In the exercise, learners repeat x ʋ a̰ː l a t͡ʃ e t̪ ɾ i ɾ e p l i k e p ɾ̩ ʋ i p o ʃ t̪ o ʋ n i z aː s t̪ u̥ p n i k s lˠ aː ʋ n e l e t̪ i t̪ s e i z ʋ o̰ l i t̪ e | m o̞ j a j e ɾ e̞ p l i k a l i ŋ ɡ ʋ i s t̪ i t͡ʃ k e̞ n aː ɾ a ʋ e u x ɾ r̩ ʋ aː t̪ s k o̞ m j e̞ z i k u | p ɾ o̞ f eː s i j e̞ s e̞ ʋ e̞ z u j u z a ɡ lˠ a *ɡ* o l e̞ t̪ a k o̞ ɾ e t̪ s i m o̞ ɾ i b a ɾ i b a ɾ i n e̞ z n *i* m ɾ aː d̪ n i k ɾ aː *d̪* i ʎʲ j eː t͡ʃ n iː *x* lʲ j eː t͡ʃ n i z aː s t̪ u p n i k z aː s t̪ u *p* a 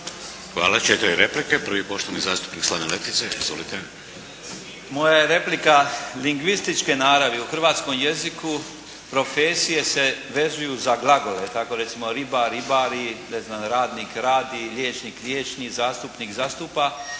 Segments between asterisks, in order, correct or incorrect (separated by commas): correct, incorrect, correct, incorrect, correct